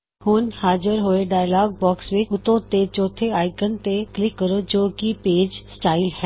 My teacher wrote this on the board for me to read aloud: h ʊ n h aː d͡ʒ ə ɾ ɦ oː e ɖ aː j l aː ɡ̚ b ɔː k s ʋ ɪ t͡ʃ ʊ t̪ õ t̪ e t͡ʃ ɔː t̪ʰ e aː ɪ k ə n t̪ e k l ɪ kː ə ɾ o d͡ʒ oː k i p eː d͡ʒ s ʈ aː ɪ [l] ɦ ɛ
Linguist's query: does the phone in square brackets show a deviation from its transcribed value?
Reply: no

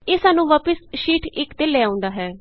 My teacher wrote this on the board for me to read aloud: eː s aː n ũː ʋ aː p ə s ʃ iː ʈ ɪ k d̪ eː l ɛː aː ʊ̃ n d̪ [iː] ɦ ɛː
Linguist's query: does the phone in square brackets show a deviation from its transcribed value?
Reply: yes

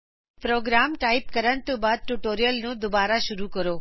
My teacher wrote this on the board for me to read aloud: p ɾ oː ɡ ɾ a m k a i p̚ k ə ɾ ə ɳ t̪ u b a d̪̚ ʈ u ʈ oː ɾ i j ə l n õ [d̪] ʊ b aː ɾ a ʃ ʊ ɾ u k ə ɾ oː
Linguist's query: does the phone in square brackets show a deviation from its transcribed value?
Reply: no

